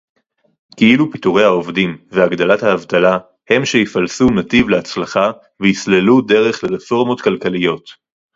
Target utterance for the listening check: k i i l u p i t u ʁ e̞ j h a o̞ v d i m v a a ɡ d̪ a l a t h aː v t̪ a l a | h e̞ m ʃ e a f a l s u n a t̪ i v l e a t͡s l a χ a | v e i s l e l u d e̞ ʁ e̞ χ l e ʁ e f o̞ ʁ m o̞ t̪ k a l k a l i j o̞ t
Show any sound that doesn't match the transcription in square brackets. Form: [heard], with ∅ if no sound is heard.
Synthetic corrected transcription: k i i l u p i t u ʁ e̞ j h a o̞ v d i m v [e] a ɡ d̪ a l a t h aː v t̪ a l a | h e̞ m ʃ e [i] f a l s u n a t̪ i v l e a t͡s l a χ a | v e i s l e l u d e̞ ʁ e̞ χ l e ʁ e f o̞ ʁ m o̞ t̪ k a l k a l i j o̞ t